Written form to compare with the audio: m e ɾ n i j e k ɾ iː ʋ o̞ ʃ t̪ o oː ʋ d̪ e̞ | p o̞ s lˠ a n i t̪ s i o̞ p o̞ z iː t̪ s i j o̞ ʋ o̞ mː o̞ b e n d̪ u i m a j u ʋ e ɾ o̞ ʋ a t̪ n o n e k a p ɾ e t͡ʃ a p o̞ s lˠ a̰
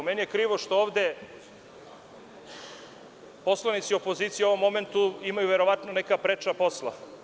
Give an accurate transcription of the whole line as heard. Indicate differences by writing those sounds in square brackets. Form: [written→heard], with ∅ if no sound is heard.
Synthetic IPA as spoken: m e [ɾ→∅] n i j e k ɾ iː ʋ o̞ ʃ t̪ o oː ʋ d̪ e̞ | p o̞ s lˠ a n i t̪ s i o̞ p o̞ z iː t̪ s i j o̞ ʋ o̞ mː o̞ [b→m] e n [d̪→t̪] u i m a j u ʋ e ɾ o̞ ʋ a t̪ n o n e k a p ɾ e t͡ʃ a p o̞ s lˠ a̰